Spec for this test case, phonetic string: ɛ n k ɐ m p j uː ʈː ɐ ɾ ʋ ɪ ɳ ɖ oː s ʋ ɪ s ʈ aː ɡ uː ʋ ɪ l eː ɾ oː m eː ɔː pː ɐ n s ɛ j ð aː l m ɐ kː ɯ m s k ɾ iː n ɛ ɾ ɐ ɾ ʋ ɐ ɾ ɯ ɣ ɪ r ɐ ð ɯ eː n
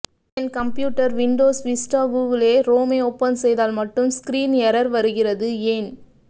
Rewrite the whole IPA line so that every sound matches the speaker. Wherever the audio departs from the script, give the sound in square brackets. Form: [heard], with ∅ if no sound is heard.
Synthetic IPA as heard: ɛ n k ɐ m p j uː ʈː ɐ ɾ ʋ ɪ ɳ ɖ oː s ʋ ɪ s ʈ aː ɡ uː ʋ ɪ l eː ɾ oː m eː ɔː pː ɐ n s ɛ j ð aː l m ɐ [ʈː] ɯ m s k ɾ iː n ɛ ɾ ɐ ɾ ʋ ɐ ɾ ɯ ɣ ɪ r ɐ ð ɯ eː n